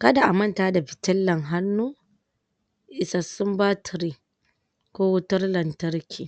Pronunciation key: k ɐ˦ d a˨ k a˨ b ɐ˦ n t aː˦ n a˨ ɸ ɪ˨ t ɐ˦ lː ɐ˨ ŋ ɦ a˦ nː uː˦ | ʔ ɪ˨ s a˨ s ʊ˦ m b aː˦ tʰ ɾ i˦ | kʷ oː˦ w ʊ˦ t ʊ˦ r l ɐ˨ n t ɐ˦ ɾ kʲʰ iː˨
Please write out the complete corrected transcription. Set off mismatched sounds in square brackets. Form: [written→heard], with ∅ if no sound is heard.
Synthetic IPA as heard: k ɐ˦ d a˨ [k→ʔ] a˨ [b→m] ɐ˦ n t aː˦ [n→d] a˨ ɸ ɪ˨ t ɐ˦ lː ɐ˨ ŋ ɦ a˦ nː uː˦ | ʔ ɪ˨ s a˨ s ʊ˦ m b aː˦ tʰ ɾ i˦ | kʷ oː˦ w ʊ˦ t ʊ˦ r l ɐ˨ n t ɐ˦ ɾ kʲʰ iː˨

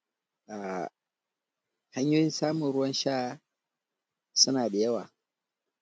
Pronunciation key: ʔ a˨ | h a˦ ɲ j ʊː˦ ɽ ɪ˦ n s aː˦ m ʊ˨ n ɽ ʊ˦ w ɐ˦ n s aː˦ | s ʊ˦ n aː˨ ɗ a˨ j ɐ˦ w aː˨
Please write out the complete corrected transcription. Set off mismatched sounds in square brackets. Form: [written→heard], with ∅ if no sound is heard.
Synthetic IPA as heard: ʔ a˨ | h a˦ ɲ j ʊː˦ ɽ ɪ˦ n s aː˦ m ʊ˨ n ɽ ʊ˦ w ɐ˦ n [s→ʃ] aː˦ | s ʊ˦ n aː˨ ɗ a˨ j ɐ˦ w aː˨

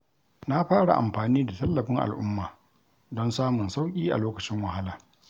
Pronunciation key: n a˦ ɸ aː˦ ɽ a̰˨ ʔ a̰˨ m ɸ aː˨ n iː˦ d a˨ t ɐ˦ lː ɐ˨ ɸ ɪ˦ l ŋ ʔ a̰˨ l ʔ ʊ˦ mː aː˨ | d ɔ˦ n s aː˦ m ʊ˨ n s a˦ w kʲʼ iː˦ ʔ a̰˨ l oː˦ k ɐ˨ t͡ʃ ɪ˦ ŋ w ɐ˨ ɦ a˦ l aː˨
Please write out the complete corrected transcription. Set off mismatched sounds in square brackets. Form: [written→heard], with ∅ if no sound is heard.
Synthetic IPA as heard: n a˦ ɸ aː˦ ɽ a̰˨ ʔ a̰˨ m ɸ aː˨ n iː˦ d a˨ t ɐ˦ lː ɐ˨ ɸ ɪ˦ [l→∅] ŋ ʔ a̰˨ l ʔ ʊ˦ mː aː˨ | d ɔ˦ n s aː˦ m ʊ˨ n s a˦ w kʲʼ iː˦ ʔ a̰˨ l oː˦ k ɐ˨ t͡ʃ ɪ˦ ŋ w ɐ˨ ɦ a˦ l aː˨

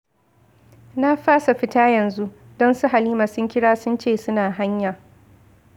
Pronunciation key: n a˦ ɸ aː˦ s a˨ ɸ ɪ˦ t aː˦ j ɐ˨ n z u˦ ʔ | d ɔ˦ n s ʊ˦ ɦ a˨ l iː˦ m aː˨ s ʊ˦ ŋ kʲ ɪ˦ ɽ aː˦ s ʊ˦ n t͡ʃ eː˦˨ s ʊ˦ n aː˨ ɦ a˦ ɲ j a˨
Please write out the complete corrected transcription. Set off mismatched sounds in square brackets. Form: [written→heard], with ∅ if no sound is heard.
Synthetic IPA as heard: n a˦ ɸ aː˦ s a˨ ɸ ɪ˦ t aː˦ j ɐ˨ n z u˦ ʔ | d ɔ˦ n s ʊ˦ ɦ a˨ l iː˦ m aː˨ s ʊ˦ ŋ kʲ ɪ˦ ɽ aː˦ s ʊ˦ n t͡ʃ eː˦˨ s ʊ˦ n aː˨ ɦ a˦ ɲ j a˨

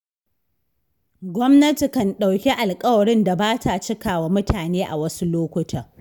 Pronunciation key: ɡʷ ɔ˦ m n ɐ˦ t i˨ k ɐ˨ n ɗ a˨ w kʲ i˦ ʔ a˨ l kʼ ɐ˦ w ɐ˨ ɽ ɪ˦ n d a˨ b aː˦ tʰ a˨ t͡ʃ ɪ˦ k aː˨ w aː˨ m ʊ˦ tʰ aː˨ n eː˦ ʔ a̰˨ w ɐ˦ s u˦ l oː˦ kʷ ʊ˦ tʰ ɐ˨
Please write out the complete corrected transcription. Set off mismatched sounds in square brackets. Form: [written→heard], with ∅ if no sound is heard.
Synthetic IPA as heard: ɡʷ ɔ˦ m n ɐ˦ t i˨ k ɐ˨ n ɗ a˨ w kʲ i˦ ʔ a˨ l kʼ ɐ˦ w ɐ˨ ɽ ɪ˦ n d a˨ b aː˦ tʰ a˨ t͡ʃ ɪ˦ k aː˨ w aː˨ m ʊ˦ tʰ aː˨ n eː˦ ʔ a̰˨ w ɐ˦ s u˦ l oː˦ kʷ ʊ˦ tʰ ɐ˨

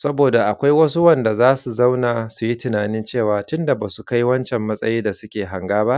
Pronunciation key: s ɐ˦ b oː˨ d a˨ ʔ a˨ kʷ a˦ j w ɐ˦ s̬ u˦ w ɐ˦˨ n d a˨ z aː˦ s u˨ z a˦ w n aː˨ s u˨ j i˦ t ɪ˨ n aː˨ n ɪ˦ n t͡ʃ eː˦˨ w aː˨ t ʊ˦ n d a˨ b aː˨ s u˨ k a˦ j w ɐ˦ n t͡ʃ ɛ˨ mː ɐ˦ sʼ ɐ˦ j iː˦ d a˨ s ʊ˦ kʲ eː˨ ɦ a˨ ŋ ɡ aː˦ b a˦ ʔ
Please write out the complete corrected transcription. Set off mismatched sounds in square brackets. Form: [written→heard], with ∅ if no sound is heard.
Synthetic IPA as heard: s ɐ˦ b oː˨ d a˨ ʔ a˨ kʷ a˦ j w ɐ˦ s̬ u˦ w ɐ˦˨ n d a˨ z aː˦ s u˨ z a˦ w n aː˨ s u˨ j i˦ t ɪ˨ n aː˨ n ɪ˦ n t͡ʃ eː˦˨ w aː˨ t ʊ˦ n d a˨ b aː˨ s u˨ k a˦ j w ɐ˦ n t͡ʃ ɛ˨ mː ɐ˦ sʼ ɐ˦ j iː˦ d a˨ s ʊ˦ kʲ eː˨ ɦ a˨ ŋ ɡ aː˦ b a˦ ʔ

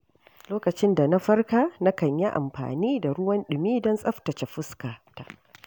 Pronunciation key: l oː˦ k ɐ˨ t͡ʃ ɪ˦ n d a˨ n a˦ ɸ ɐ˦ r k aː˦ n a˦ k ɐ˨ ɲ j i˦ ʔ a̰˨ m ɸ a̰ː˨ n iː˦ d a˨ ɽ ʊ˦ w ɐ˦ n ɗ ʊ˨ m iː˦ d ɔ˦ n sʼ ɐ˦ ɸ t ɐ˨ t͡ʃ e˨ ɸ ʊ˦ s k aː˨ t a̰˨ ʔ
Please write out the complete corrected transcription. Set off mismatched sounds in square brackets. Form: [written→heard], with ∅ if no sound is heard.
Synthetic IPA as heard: l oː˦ k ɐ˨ t͡ʃ ɪ˦ n d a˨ n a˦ ɸ ɐ˦ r k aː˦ n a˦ k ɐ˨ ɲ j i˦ ʔ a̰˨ m ɸ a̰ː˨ n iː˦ d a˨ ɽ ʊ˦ w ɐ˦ n ɗ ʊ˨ m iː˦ d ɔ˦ n sʼ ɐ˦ ɸ t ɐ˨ t͡ʃ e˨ ɸ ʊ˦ s k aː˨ t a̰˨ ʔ

